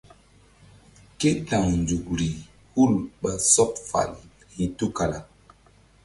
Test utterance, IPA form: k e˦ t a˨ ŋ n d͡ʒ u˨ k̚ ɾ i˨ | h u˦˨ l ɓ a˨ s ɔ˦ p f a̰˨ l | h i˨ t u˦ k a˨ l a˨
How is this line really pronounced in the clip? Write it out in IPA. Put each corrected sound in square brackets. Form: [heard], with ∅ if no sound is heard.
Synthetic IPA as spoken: k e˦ t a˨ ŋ n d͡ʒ u˨ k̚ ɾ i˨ | h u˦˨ l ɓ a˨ s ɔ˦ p f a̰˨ l | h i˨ t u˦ k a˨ l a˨